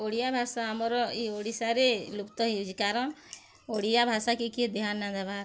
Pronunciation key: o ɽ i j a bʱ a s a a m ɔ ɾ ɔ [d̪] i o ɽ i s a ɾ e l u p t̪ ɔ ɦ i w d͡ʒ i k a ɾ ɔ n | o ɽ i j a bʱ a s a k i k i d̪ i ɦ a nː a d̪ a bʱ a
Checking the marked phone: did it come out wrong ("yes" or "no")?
yes